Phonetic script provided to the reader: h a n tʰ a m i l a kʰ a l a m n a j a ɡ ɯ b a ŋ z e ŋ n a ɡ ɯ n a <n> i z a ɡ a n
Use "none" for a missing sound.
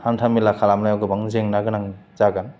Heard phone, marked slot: ŋ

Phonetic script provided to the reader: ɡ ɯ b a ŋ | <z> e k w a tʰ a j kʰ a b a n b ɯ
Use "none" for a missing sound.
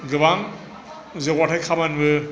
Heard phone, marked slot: z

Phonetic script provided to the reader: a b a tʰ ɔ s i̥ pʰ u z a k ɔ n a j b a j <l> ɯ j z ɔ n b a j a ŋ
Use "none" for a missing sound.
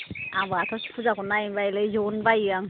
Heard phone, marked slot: l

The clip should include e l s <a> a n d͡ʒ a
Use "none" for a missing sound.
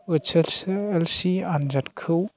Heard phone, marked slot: i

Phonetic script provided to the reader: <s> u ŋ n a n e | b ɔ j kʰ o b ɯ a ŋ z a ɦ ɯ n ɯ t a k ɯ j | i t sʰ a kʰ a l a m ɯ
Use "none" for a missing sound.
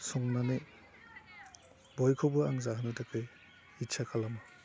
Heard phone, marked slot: s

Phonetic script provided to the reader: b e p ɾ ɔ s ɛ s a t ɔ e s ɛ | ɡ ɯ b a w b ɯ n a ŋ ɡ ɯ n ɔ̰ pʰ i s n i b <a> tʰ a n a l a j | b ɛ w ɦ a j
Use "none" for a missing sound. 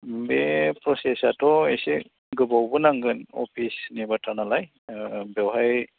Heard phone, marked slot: a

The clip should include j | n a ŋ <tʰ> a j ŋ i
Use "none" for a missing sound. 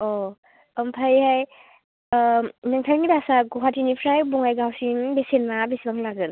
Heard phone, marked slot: tʰ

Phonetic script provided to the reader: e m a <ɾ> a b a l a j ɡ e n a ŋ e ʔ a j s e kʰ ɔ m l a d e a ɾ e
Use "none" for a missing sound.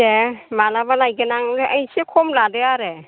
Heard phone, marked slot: l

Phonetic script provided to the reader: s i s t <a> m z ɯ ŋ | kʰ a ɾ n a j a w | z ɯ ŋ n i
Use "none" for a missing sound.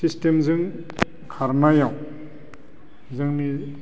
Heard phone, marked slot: e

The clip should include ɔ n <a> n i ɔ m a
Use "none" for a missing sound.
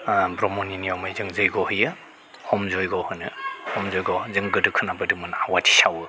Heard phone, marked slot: i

